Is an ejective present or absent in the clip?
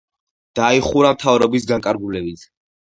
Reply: present